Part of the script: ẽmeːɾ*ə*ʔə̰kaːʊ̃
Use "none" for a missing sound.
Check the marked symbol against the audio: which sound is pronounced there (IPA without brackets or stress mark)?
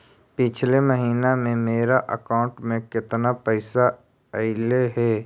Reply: a